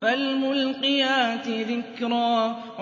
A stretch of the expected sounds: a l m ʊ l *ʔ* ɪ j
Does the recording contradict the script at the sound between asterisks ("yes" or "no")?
yes